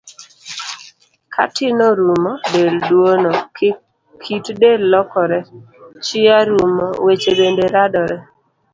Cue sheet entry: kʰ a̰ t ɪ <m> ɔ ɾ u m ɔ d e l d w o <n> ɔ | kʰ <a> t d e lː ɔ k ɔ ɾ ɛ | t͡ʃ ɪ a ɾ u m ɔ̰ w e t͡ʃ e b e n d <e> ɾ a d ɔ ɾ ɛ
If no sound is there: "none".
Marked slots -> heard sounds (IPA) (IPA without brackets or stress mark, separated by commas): n, n, i, e